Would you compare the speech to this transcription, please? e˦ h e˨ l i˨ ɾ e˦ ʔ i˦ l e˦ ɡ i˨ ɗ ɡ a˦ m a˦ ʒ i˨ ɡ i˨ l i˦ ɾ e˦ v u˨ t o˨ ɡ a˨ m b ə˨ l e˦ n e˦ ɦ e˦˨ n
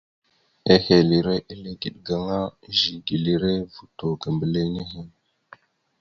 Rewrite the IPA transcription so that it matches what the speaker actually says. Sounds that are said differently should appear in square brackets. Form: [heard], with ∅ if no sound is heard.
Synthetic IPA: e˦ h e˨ l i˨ ɾ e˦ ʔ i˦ l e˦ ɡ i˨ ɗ ɡ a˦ [ŋ] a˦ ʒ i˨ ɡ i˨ l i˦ ɾ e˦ v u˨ t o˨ ɡ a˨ m b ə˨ l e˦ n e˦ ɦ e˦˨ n